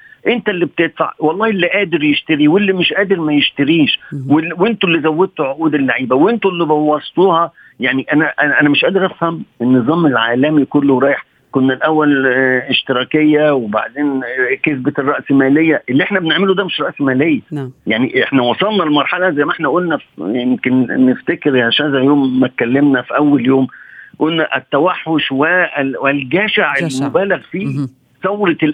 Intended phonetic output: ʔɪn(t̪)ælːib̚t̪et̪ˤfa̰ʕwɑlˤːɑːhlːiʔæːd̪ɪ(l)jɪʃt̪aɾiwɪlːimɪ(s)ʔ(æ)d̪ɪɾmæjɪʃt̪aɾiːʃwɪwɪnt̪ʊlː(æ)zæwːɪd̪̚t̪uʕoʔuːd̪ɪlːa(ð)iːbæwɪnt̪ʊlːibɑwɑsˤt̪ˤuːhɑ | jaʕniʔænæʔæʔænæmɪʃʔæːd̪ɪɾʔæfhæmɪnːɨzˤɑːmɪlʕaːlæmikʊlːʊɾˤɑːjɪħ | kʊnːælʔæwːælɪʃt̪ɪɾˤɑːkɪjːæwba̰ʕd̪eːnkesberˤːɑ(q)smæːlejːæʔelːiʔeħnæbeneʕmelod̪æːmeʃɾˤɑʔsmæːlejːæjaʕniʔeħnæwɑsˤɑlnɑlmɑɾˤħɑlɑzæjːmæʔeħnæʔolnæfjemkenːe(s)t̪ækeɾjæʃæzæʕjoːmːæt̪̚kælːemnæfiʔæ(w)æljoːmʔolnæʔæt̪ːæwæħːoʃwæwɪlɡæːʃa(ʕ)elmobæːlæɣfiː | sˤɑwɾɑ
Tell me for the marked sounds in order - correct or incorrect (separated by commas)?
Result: correct, incorrect, incorrect, incorrect, incorrect, incorrect, incorrect, incorrect, incorrect, correct